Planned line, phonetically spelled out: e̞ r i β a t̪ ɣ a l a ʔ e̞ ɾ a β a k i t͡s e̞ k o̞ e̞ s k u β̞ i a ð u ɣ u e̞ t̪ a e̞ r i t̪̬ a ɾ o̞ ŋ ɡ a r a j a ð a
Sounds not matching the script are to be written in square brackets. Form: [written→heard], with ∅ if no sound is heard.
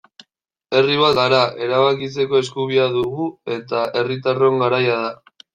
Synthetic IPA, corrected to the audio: e̞ r i β a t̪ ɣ a [l→ɾ] a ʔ e̞ ɾ a β a k i t͡s e̞ k o̞ e̞ s k u β̞ i a ð u ɣ u e̞ t̪ a e̞ r i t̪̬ a [ɾ→r] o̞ ŋ ɡ a [r→ɾ] a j a ð a